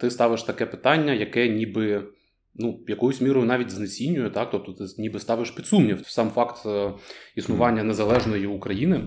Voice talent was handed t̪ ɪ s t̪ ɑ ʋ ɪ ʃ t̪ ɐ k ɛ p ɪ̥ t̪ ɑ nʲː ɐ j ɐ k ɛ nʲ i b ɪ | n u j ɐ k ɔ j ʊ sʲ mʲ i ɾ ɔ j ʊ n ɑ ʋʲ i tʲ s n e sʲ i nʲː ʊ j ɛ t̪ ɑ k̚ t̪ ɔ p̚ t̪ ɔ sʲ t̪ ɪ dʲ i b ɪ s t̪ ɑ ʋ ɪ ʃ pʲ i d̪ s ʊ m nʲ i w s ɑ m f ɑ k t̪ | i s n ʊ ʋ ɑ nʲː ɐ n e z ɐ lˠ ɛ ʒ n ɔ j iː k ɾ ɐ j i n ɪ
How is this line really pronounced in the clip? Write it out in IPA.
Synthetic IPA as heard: t̪ ɪ s t̪ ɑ ʋ ɪ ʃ t̪ ɐ k ɛ p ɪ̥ t̪ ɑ nʲː ɐ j ɐ k ɛ nʲ i b ɪ | n u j ɐ k ɔ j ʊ sʲ mʲ i ɾ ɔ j ʊ n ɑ ʋʲ i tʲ z n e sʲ i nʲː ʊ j ɛ t̪ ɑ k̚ t̪ ɔ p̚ t̪ ɔ t̪ ɪ nʲ i b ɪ s t̪ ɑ ʋ ɪ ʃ pʲ i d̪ s u m nʲ i w s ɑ m f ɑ k t̪ | i s n ʊ ʋ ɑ nʲː ɐ n e z ɐ lˠ ɛ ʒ n ɔ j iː k ɾ ɐ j i n ɪ